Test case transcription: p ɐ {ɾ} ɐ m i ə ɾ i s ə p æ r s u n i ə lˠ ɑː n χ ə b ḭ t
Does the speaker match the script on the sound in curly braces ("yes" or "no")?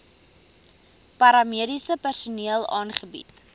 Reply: yes